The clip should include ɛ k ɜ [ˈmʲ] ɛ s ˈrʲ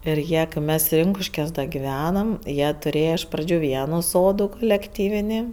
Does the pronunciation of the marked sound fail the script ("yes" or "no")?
no